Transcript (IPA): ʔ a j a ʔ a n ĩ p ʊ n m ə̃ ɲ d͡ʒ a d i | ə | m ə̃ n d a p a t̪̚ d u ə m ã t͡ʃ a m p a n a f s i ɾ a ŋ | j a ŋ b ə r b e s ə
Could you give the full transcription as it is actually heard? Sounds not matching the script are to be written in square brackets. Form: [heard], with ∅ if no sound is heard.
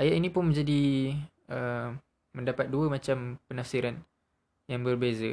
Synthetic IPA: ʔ a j a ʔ [i] n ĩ p ʊ n m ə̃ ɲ d͡ʒ a d i | ə | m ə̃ n d a p a t̪̚ d u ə m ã t͡ʃ a m p [ə] n a f s i ɾ a [n] | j a ŋ b ə r b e [z] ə